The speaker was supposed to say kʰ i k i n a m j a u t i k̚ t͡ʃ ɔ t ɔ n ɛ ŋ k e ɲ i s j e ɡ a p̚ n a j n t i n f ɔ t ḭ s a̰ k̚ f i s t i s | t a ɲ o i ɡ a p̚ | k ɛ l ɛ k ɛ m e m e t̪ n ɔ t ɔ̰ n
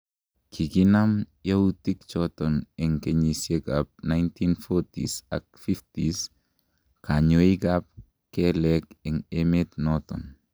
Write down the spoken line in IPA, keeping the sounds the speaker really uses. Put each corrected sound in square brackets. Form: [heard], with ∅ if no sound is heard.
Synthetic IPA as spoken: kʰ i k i n a m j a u t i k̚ t͡ʃ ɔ t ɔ n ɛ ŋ k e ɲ i s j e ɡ a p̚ n a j n t i n f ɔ t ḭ s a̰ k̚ f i [f] t i s | [k] a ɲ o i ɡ a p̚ | k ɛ l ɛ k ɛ [ŋ] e m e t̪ n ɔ t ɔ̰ n

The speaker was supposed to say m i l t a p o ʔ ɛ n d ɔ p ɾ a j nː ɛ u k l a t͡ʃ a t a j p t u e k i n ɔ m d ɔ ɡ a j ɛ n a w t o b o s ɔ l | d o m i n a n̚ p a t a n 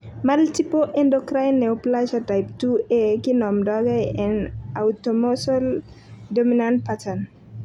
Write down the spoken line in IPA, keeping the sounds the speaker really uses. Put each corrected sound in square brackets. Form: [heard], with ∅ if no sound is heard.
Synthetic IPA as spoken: m [a] l t [i] p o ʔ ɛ n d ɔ [k] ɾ a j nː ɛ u [p] l a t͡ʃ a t a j p t u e k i n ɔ m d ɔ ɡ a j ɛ n a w t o [m] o s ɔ l | d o m i n a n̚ p a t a n

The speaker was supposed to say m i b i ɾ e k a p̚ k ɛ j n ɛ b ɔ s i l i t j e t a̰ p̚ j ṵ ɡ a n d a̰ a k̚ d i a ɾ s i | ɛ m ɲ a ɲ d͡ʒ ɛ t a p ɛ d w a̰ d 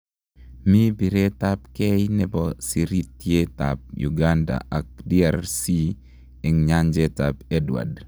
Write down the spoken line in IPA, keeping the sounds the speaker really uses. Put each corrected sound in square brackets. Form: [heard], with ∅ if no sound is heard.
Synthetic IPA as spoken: m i b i ɾ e [t] a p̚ k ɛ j n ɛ b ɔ s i [ɾ] i t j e t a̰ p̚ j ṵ ɡ a n d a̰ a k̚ d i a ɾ s i | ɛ [ŋ] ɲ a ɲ d͡ʒ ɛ t a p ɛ d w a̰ d

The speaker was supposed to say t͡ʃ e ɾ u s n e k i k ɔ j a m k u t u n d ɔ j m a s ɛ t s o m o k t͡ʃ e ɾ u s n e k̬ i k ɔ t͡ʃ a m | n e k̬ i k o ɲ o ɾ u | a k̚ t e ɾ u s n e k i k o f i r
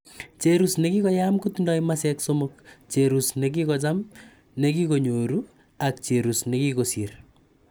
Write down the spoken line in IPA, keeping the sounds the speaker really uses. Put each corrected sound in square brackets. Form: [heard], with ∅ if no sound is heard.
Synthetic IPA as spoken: t͡ʃ e ɾ u s n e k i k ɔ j a m k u t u n d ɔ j m a s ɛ [k] s o m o k t͡ʃ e ɾ u s n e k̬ i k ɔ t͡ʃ a m | n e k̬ i k o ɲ o ɾ u | a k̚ [t͡ʃ] e ɾ u s n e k i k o [s] i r

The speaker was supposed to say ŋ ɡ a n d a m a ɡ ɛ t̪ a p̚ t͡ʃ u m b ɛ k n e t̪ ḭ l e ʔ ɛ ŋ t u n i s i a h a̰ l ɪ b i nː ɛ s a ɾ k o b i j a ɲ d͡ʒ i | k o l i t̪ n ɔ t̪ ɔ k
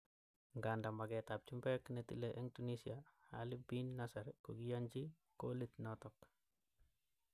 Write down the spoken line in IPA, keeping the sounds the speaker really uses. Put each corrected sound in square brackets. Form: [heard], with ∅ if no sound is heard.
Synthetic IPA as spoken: ŋ ɡ a n d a m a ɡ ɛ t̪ a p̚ t͡ʃ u m b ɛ k n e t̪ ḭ l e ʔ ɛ ŋ t u n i s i a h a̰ l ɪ b i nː [a] s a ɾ k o [ɡ] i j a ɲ d͡ʒ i | k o l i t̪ n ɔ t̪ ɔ k

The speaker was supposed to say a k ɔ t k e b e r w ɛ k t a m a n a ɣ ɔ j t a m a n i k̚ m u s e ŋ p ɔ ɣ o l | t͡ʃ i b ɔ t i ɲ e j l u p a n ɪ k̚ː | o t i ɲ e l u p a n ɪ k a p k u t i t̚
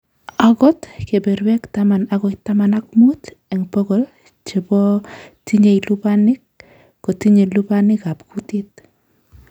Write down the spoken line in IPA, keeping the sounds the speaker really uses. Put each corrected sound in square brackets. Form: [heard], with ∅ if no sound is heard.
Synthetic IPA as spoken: a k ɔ t k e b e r w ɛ k t a m a n a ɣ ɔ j t a m a n [a] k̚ m u [t] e ŋ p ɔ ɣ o l | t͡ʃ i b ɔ t i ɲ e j l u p a n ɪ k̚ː | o t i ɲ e l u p a n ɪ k a p k u t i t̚

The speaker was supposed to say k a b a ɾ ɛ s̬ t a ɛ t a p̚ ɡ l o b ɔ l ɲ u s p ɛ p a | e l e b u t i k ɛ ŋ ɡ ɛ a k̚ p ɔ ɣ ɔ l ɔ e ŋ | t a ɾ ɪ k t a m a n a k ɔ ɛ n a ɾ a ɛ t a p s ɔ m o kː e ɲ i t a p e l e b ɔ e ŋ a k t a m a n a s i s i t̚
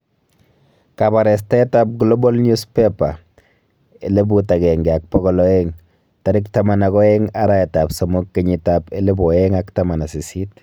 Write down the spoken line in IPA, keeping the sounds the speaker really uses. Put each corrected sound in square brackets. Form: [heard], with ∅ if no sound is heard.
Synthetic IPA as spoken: k a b a ɾ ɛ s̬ t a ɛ t a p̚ ɡ l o b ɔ l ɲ u s p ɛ p a | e l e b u t [a] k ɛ ŋ ɡ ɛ a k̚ p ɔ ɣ ɔ l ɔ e ŋ | t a ɾ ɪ k t a m a n a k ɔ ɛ [ŋ] a ɾ a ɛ t a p s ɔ m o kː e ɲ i t a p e l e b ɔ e ŋ a k t a m a n a s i s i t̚

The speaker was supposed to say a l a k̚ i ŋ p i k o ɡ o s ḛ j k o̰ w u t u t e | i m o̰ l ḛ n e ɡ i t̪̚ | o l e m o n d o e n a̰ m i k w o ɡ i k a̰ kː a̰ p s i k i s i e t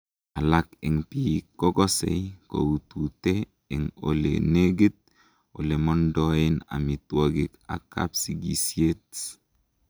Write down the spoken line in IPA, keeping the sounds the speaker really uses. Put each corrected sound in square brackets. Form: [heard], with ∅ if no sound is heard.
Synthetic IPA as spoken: a l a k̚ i ŋ p i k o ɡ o s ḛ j k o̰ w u t u t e | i [ŋ] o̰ l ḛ n e ɡ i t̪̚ | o l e m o n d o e n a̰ m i [t] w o ɡ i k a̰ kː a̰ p s i [ɡ] i s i e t

